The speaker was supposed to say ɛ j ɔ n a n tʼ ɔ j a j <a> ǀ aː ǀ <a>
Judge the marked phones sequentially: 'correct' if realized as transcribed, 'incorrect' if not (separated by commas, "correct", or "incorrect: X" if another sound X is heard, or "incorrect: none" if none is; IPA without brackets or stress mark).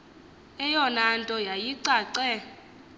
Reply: incorrect: i, incorrect: ɛ